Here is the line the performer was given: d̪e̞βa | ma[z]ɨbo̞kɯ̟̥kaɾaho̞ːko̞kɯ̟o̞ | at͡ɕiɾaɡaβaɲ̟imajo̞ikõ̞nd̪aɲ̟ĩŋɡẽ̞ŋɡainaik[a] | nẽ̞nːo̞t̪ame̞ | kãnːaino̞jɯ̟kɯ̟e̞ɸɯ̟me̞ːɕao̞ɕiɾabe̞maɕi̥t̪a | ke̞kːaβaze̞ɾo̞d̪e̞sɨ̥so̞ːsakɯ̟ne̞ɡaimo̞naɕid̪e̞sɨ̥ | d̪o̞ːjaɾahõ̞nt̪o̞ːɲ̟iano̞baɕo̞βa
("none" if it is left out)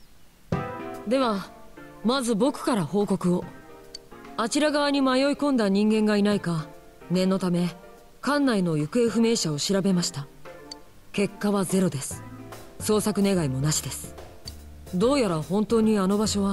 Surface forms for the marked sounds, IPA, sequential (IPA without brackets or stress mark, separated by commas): z, a